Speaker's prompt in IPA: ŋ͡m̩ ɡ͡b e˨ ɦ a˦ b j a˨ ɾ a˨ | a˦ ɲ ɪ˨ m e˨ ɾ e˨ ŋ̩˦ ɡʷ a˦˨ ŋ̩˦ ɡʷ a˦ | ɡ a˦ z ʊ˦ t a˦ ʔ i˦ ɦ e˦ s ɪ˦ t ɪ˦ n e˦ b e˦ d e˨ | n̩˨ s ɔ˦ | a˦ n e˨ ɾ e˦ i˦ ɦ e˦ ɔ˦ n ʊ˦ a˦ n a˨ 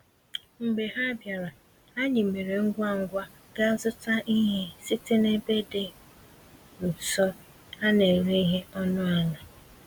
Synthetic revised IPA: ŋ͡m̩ ɡ͡b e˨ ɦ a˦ b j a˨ ɾ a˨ | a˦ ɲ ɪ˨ m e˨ ɾ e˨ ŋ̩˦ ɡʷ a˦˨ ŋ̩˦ ɡʷ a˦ | ɡ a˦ z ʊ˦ t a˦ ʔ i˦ ɦ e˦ s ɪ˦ t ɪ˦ n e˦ b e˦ d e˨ | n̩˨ s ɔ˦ | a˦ n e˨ ɾ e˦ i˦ ɦ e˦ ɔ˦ n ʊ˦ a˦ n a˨